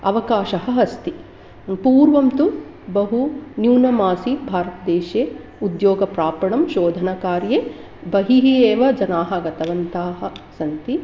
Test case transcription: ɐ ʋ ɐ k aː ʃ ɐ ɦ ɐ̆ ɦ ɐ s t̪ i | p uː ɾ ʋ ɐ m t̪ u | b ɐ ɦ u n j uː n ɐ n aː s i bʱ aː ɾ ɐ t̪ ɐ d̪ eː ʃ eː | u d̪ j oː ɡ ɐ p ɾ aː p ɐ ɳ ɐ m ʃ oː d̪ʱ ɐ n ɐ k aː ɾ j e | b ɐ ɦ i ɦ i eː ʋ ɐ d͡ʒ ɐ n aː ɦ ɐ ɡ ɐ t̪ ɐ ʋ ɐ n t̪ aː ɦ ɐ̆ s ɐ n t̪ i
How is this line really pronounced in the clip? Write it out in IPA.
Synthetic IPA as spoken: ɐ ʋ ɐ k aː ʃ ɐ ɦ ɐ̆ ɦ ɐ s t̪ i | p uː ɾ ʋ ɐ m t̪ u | b ɐ ɦ u n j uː n ɐ m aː s i bʱ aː ɾ ɐ t̪ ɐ d̪ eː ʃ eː | u d̪ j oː ɡ ɐ p ɾ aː p ɐ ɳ ɐ m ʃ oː d̪ʱ ɐ n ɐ k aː ɾ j e | b ɐ ɦ i ɦ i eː ʋ ɐ d͡ʒ ɐ n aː ɦ ɐ ɡ ɐ t̪ ɐ ʋ ɐ n t̪ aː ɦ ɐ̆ s ɐ n t̪ i

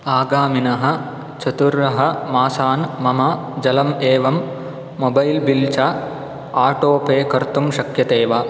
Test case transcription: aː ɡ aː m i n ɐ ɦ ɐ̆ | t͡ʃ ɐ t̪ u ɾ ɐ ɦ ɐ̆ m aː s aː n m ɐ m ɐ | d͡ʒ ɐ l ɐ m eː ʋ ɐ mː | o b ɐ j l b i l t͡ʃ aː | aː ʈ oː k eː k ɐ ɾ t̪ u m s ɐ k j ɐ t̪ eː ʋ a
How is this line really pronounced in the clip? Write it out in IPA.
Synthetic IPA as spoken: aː ɡ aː m i n ɐ ɦ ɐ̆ | t͡ʃ ɐ t̪ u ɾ ɐ ɦ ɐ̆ m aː s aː n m ɐ m ɐ | d͡ʒ ɐ l ɐ m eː ʋ ɐ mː | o b ɐ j l b i l t͡ʃ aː | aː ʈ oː p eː k ɐ ɾ t̪ u m ʃ ɐ k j ɐ t̪ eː ʋ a

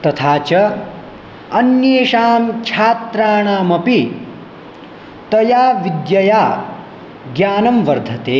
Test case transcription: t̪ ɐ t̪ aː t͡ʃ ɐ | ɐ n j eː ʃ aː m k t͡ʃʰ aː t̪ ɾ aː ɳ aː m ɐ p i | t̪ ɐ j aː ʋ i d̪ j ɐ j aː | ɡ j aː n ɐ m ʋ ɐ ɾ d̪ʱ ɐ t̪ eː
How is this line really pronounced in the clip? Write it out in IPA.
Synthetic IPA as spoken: t̪ ɐ t̪ʰ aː t͡ʃ ɐ | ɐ n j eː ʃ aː m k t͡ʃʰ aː t̪ ɾ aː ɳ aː m ɐ p i | t̪ ɐ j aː ʋ i d̪ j ɐ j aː | ɡ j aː n ɐ m ʋ ɐ ɾ d̪ʱ ɐ t̪ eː

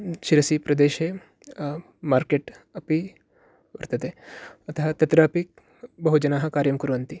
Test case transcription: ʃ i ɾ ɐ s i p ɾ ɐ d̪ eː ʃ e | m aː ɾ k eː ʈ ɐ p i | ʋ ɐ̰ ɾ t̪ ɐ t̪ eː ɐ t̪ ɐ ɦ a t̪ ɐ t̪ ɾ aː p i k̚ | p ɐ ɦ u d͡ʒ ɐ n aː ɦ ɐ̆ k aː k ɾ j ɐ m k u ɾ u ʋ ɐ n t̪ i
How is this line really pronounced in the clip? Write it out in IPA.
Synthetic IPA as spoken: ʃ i ɾ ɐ s i p ɾ ɐ d̪ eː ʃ e | m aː ɾ k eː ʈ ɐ p i | ʋ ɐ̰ ɾ t̪ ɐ t̪ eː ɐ t̪ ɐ ɦ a t̪ ɐ t̪ ɾ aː p i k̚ | b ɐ ɦ u d͡ʒ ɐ n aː ɦ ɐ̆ k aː ɾ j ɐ m k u ɾ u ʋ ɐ n t̪ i

